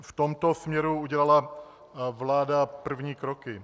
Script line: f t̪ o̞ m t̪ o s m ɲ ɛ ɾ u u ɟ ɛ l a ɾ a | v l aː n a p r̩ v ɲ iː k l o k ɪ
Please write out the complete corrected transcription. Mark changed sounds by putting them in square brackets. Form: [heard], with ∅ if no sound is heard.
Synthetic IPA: f t̪ o̞ m t̪ o s m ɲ ɛ ɾ u u ɟ ɛ l a [l] a | v l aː [d] a p r̩ v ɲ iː k [ɾ] o k ɪ

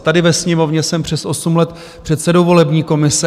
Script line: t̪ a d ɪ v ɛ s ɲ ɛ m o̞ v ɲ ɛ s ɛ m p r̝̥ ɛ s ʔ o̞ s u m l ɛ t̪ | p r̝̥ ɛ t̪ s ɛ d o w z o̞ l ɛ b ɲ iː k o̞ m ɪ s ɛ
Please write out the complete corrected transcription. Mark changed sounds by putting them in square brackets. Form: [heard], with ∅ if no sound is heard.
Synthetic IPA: t̪ a d ɪ v ɛ s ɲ ɛ m o̞ v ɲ ɛ s ɛ m p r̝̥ ɛ s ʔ o̞ s u m l ɛ t̪ | p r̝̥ ɛ t̪ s ɛ d o w [v] o̞ l ɛ b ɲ iː k o̞ m ɪ s ɛ

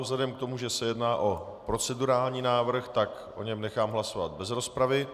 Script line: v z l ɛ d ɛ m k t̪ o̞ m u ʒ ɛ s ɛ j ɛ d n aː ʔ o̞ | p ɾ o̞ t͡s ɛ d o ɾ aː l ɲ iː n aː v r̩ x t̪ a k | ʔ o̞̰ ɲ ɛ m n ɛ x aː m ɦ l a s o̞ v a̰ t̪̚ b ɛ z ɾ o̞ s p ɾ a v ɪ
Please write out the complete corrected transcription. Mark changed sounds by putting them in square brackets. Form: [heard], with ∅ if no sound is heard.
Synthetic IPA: v z l ɛ d ɛ m k t̪ o̞ m u ʒ ɛ s ɛ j ɛ d n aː ʔ o̞ | p ɾ o̞ t͡s ɛ d [u] ɾ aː l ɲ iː n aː v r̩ x t̪ a k | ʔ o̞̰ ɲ ɛ m n ɛ x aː m ɦ l a s o̞ v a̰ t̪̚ b ɛ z ɾ o̞ s p ɾ a v ɪ

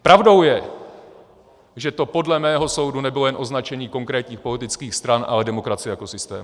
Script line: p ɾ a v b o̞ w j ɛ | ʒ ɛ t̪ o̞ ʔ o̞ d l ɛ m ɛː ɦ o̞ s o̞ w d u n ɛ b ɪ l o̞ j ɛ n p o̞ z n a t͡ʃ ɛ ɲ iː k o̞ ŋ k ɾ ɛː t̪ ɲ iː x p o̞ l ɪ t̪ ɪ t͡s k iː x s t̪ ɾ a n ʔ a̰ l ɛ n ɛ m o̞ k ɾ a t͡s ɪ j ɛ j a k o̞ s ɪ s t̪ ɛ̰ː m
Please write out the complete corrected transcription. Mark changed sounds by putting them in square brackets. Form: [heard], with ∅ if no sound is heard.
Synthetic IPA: p ɾ a v [d] o̞ w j ɛ | ʒ ɛ t̪ o̞ [p] o̞ d l ɛ m ɛː ɦ o̞ s o̞ w d u n ɛ b ɪ l o̞ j ɛ n [ʔ] o̞ z n a t͡ʃ ɛ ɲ iː k o̞ ŋ k ɾ ɛː t̪ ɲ iː x p o̞ l ɪ t̪ ɪ t͡s k iː x s t̪ ɾ a n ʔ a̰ l ɛ [d] ɛ m o̞ k ɾ a t͡s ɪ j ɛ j a k o̞ s ɪ s t̪ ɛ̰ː m

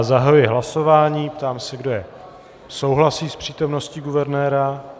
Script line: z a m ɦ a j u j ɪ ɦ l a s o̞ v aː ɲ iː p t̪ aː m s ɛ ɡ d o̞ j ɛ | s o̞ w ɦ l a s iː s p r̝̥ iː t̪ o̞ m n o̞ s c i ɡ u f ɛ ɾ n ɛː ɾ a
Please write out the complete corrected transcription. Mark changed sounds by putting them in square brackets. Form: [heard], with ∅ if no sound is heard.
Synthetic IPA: z a [∅] ɦ a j u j ɪ ɦ l a s o̞ v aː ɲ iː p t̪ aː m s ɛ ɡ d o̞ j ɛ | s o̞ w ɦ l a s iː s p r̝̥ iː t̪ o̞ m n o̞ s c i ɡ u [v] ɛ ɾ n ɛː ɾ a

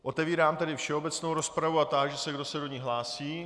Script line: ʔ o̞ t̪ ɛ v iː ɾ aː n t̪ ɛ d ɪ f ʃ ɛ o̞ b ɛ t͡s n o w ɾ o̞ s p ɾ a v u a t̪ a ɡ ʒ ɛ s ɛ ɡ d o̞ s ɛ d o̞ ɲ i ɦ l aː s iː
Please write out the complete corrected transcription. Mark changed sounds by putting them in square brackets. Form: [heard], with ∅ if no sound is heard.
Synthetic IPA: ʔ o̞ t̪ ɛ v iː ɾ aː [m] t̪ ɛ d ɪ f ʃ ɛ o̞ b ɛ t͡s n o w ɾ o̞ s p ɾ a v u a t̪ a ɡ ʒ ɛ s ɛ ɡ d o̞ s ɛ d o̞ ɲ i ɦ l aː s iː

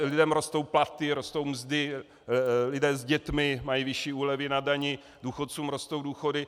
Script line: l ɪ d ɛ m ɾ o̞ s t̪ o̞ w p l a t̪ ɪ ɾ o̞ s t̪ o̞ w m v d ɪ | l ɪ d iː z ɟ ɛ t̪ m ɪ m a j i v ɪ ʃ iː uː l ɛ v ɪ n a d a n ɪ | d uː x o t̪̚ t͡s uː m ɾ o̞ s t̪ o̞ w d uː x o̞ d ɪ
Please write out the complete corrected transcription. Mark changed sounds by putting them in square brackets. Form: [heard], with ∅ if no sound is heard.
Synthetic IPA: l ɪ d ɛ m ɾ o̞ s t̪ o̞ w p l a t̪ ɪ ɾ o̞ s t̪ o̞ w m [z] d ɪ | l ɪ d [ɛː] z ɟ ɛ t̪ m ɪ m a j i v ɪ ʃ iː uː l ɛ v ɪ n a d a [ɲ] ɪ | d uː x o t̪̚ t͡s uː m ɾ o̞ s t̪ o̞ w d uː x o̞ d ɪ

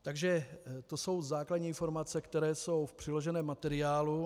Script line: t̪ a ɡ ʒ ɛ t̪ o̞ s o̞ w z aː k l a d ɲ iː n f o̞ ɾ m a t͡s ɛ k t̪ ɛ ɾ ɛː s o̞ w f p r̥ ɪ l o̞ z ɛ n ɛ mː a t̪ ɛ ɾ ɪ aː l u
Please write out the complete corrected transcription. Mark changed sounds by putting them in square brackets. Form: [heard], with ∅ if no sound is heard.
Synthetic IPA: t̪ a ɡ ʒ ɛ t̪ o̞ s o̞ w z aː k l a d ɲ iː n f o̞ ɾ m a t͡s ɛ k t̪ ɛ ɾ ɛː s o̞ w f p r̥ ɪ l o̞ [ʒ] ɛ n [ɛː] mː a t̪ ɛ ɾ ɪ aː l u

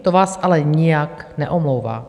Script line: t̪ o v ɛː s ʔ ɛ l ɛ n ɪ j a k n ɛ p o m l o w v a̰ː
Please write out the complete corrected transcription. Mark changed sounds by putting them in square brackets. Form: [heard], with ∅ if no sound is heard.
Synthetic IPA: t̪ o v [aː] s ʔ [a] l ɛ [ɲ] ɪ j a k n ɛ [ʔ] o m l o w v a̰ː

